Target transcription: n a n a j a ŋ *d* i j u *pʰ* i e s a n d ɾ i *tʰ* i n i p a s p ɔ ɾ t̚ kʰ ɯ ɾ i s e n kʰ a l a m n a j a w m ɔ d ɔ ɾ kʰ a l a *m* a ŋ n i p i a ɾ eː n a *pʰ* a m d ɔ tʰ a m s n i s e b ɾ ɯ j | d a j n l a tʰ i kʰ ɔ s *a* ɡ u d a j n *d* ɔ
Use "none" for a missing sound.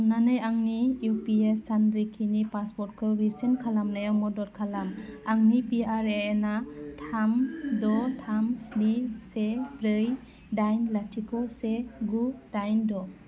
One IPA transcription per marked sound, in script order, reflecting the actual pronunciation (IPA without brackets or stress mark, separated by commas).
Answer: n, p, kʰ, m, tʰ, e, d